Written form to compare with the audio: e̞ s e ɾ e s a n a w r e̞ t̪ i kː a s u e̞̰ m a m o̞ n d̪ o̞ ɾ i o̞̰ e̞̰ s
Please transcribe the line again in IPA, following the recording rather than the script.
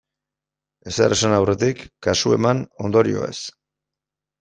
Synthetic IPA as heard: e̞ s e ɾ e s a n a w r e̞ t̪ i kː a s u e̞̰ m a n o̞ n d̪ o̞ ɾ i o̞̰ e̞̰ s